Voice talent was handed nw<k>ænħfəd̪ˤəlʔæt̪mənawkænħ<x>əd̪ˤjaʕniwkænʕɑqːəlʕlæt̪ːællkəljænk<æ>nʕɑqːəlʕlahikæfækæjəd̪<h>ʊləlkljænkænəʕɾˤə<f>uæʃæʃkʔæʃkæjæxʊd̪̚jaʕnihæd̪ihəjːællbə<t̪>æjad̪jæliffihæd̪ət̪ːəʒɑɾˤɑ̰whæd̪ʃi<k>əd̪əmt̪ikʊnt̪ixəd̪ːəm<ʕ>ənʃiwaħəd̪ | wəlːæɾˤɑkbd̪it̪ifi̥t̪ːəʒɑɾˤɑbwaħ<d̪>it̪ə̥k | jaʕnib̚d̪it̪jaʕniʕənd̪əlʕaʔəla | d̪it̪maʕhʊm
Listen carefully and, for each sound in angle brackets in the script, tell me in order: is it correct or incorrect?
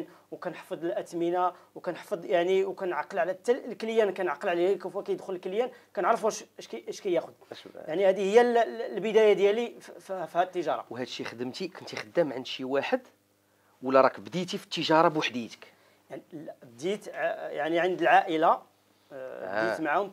correct, incorrect, correct, incorrect, correct, incorrect, incorrect, correct, correct

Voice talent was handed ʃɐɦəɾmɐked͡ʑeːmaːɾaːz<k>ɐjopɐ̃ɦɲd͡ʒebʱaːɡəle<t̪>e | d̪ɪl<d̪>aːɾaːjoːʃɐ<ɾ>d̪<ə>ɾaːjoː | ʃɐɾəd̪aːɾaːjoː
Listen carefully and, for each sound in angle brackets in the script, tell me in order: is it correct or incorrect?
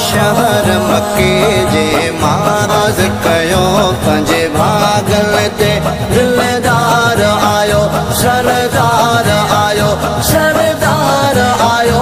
correct, correct, correct, correct, incorrect

